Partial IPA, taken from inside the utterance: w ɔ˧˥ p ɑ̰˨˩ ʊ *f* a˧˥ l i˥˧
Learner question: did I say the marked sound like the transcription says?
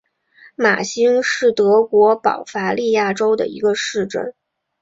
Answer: yes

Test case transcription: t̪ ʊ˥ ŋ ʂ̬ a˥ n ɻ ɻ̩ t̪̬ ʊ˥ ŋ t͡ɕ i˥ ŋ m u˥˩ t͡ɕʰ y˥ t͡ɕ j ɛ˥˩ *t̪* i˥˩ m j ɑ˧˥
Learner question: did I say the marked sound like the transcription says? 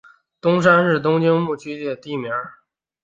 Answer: yes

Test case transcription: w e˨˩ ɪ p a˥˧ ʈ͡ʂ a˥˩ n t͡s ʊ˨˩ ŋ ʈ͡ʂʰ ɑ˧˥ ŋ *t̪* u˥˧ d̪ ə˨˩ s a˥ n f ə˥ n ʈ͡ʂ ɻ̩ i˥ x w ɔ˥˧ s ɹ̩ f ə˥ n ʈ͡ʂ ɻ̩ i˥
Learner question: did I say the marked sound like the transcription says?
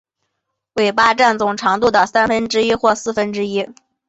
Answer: yes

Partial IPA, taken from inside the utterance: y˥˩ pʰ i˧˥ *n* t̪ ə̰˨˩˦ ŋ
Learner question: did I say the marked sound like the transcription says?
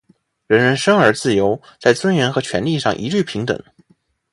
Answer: no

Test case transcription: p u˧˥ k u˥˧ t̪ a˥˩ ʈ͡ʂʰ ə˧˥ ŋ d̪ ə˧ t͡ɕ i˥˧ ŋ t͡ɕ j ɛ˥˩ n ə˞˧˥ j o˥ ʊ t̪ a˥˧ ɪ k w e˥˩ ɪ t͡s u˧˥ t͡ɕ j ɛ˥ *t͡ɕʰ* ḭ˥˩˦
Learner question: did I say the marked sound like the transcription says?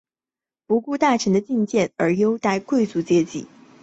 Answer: no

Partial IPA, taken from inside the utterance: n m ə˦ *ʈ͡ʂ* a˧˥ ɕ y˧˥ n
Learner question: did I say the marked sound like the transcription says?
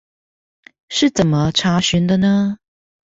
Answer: no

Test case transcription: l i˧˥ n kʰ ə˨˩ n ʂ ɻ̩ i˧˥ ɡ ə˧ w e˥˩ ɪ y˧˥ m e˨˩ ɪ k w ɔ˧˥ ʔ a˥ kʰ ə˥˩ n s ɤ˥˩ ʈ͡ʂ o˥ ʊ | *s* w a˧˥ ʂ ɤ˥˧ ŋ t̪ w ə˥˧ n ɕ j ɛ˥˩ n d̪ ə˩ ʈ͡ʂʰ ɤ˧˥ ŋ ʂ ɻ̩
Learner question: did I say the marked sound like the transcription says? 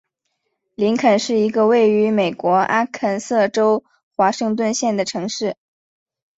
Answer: no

